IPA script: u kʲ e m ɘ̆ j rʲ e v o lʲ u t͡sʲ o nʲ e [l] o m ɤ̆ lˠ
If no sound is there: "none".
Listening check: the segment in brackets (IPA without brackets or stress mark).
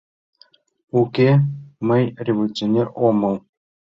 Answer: r